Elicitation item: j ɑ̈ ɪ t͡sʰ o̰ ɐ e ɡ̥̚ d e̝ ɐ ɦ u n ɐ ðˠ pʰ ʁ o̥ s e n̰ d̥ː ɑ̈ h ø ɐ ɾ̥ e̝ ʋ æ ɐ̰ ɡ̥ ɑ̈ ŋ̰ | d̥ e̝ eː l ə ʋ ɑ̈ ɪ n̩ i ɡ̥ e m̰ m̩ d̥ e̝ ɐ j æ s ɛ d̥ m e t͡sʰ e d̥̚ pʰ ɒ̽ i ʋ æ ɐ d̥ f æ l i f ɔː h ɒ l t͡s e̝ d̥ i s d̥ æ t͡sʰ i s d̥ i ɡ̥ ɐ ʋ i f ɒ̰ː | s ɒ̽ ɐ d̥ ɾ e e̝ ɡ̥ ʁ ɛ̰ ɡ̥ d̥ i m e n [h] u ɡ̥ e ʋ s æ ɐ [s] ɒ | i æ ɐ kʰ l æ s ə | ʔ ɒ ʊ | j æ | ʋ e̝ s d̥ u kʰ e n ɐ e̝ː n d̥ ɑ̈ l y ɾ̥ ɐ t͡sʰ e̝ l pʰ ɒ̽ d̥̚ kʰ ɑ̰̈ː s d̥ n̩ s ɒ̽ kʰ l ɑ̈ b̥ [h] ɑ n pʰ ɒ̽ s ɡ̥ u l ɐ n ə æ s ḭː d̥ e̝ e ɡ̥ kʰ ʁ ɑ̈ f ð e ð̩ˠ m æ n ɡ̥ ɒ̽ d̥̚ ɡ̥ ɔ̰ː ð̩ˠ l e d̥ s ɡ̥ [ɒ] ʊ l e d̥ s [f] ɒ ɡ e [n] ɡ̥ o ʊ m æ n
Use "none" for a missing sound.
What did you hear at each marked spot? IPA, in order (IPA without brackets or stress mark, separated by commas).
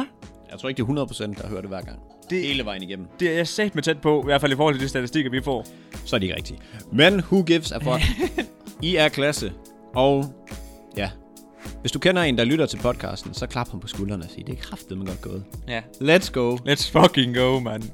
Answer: h, f, h, o, f, ŋ